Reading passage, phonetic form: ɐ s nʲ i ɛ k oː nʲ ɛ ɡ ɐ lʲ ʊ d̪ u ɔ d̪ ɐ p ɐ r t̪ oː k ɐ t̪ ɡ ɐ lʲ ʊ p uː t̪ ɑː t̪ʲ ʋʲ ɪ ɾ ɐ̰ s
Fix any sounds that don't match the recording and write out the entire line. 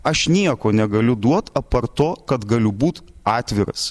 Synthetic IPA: ɐ ʃ nʲ i ɛ k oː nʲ ɛ ɡ ɐ lʲ ʊ d̪ u ɔ t̪ ɐ p ɐ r t̪ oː k ɐ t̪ ɡ ɐ lʲ ʊ b uː t̪ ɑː t̪ʲ ʋʲ ɪ ɾ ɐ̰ s